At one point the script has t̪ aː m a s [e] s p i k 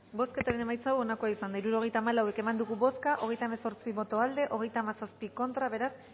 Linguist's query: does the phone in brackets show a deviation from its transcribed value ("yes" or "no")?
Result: yes